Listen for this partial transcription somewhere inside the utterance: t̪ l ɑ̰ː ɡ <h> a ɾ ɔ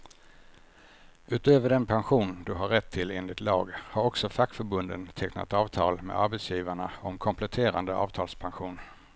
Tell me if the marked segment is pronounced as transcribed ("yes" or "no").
yes